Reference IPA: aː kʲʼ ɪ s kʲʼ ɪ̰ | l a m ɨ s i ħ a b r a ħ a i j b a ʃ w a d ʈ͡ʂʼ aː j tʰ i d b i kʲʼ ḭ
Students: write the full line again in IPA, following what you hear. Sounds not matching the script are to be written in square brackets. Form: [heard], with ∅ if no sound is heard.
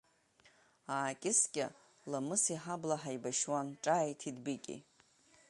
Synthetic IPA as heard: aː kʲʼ ɪ s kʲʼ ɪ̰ | l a m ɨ s i ħ a b [l] a ħ a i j b a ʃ w a [n] ʈ͡ʂʼ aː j tʰ i d b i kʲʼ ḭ